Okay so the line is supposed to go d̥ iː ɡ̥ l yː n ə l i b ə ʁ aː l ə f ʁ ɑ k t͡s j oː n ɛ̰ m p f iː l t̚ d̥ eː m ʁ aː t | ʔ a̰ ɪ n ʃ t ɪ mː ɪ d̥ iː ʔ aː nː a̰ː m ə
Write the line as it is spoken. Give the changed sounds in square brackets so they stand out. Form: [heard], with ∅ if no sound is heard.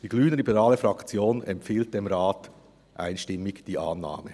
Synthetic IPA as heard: d̥ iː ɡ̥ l yː n ə l i b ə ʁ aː l ə f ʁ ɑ k t͡s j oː n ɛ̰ m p f iː l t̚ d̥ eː m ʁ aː t | ʔ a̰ ɪ n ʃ t ɪ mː ɪ d̥ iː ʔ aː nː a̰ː m ə